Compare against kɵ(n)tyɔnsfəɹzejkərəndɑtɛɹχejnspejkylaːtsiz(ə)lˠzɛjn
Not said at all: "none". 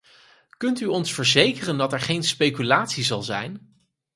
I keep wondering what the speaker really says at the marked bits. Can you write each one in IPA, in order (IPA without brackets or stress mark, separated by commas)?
n, ɑ